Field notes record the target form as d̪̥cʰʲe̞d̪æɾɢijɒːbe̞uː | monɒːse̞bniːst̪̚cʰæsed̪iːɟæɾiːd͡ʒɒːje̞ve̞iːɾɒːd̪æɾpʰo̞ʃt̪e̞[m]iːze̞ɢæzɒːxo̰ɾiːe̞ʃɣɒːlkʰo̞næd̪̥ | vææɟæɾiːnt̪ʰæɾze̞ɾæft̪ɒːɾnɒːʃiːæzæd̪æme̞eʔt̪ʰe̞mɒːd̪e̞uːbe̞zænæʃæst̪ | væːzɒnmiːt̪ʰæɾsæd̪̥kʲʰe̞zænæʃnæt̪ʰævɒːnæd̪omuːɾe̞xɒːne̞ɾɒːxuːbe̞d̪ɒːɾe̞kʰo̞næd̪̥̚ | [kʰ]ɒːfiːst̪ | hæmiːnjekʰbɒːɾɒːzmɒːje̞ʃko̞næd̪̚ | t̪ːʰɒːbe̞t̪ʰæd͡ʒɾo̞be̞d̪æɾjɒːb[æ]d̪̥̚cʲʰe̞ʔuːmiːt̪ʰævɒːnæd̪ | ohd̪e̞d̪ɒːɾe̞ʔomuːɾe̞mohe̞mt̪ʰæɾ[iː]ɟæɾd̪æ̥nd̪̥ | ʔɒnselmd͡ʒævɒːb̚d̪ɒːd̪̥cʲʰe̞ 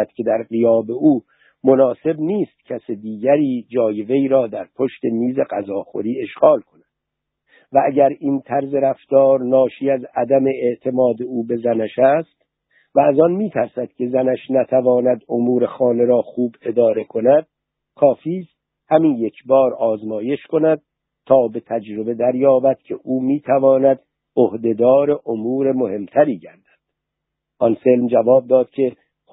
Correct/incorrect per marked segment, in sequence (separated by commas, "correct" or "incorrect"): correct, correct, correct, correct